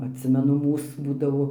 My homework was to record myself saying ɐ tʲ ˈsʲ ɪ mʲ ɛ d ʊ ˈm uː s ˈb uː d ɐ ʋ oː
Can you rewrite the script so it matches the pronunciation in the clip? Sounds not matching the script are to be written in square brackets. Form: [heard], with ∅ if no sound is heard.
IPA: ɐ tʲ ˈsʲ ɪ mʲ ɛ [n] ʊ ˈm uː s ˈb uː d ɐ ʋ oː